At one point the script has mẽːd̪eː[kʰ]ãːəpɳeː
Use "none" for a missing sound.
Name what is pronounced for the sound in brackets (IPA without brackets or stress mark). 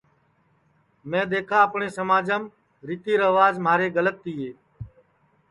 kʰ